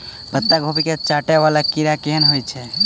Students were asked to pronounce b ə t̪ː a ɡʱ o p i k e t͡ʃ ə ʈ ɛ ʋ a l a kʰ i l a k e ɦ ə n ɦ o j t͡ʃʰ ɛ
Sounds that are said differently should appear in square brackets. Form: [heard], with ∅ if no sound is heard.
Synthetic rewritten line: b ə t̪ː a ɡʱ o p i k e t͡ʃ [a] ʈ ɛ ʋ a l a [k] i [ɾ] a k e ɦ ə n ɦ o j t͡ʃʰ ɛ